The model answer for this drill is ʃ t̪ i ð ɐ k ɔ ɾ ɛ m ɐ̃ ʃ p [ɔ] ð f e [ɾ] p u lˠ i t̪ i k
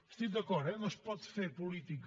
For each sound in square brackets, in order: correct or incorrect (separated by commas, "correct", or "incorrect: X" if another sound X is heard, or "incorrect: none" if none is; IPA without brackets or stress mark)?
correct, correct